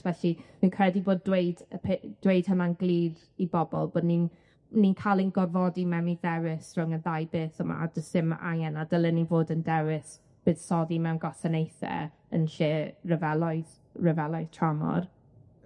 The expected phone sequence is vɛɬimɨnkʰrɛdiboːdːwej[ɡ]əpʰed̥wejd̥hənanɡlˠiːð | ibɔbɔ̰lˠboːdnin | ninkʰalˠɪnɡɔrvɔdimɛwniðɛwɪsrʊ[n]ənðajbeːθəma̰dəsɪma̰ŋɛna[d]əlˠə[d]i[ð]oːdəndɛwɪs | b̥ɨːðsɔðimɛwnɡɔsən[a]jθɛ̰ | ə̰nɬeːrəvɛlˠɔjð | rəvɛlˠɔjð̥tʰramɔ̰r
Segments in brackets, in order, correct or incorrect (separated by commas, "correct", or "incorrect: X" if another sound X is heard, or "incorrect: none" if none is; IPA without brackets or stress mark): incorrect: d, incorrect: ŋ, correct, incorrect: n, incorrect: v, incorrect: e